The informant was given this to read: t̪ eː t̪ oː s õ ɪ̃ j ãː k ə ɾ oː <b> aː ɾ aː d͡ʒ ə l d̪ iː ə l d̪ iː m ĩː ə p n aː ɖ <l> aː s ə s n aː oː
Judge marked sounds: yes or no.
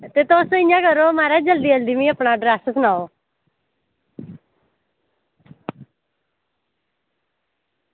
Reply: no, no

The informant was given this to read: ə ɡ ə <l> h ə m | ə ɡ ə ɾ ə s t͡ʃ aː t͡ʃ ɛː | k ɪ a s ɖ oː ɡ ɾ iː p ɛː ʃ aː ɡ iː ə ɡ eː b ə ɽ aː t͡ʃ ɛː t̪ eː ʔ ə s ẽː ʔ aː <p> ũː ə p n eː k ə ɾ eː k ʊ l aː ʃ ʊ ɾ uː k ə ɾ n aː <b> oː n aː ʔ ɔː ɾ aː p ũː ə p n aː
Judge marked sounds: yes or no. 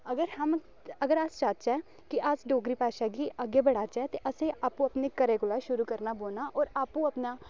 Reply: no, yes, yes

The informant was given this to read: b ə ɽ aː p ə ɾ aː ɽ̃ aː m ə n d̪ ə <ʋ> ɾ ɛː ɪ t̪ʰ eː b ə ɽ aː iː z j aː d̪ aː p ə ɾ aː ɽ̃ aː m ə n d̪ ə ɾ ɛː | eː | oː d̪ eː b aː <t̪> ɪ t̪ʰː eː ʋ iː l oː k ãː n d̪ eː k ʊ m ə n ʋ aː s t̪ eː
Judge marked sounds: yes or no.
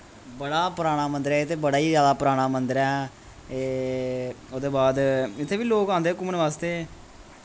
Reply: no, no

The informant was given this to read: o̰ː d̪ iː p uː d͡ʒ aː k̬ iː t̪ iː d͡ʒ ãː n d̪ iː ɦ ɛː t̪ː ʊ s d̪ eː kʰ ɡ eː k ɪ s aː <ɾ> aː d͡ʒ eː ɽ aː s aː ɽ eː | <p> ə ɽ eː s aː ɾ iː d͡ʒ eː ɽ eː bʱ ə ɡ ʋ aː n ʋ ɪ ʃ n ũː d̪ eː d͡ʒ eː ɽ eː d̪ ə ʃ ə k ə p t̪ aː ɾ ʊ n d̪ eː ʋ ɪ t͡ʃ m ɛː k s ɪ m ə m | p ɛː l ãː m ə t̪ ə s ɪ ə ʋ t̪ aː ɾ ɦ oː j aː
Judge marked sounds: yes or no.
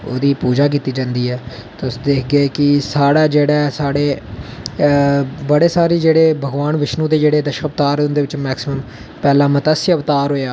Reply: no, no

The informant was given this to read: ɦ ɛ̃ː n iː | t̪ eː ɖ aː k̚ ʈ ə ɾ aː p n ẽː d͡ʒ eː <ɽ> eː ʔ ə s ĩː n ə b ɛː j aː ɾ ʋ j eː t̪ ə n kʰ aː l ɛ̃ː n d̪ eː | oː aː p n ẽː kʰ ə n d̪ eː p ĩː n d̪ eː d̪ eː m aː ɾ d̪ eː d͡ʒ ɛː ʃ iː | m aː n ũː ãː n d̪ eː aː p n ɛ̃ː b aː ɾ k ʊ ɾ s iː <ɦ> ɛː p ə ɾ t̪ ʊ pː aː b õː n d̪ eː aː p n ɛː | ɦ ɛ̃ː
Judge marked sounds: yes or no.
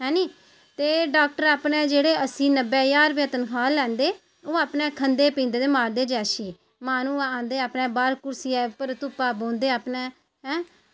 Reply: yes, no

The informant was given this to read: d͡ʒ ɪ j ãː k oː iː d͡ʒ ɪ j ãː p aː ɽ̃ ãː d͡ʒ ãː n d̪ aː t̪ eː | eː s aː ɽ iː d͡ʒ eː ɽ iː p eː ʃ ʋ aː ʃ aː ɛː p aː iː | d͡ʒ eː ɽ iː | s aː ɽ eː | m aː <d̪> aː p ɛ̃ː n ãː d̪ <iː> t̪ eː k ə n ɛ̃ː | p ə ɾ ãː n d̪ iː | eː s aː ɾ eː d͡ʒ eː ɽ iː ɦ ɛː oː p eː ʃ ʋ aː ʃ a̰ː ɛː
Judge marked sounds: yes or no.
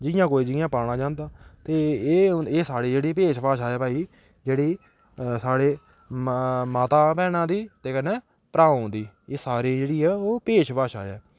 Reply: no, yes

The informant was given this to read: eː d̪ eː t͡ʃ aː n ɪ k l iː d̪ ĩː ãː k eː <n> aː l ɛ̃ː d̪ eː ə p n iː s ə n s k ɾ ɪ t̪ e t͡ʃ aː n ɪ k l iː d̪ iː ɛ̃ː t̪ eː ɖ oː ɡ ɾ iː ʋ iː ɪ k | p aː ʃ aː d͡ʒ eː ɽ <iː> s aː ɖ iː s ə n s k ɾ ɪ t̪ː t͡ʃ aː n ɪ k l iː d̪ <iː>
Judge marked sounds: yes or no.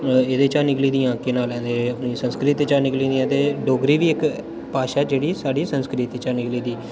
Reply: yes, yes, yes

